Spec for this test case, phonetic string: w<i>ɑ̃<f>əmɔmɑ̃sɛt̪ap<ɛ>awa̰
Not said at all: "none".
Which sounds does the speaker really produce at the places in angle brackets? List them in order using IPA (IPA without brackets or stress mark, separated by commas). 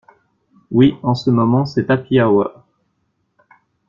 i, s, i